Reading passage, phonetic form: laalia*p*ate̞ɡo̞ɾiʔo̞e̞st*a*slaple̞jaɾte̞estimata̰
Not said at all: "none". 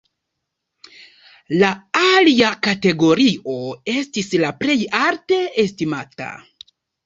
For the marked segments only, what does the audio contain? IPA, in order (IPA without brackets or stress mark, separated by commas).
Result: k, i